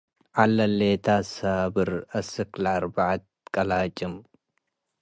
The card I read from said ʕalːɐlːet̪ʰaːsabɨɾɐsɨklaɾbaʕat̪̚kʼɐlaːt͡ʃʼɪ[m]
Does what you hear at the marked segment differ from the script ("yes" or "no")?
no